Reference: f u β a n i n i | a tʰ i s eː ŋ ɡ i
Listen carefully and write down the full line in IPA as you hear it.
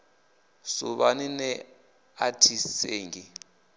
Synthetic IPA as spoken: s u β a n i n ɛ | a tʰ i s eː ŋ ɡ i

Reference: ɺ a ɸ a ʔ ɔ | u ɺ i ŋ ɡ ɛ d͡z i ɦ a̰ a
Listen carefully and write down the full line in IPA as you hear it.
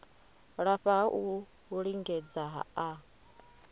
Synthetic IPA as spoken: ɺ a ɸ a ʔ u | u ɺ i ŋ ɡ ɛ d͡z a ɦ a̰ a

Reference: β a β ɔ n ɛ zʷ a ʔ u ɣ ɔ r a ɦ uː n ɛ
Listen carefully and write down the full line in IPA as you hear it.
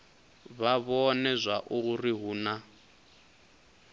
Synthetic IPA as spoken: β a β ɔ n ɛ zʷ a ʔ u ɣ u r i ɦ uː n a

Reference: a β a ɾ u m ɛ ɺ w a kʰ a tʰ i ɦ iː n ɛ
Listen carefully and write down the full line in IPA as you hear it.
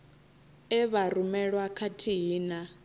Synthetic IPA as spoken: ɛ β a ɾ u m ɛ ɺ w a kʰ a tʰ i ɦ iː n a

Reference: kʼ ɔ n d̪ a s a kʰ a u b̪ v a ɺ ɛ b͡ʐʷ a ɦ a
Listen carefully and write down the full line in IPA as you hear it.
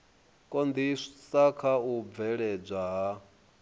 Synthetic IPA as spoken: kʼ ɔ n d̪ i s a kʰ a u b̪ v ɛ ɺ ɛ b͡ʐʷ a ɦ a

